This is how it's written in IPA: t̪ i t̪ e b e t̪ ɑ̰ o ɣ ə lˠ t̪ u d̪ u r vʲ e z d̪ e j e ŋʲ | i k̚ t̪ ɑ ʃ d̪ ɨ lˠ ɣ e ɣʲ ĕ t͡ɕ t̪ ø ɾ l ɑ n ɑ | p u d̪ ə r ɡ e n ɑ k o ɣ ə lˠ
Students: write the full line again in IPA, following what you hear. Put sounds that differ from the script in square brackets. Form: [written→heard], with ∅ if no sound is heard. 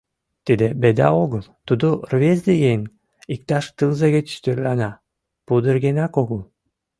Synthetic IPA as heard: t̪ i [t̪→d̪] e b e [t̪→d̪] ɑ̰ o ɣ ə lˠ t̪ u d̪ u r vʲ e z d̪ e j e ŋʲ | i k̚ t̪ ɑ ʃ [d̪→t̪] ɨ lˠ [ɣ→z] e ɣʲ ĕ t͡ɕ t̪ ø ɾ l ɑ n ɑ | p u d̪ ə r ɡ e n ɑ k o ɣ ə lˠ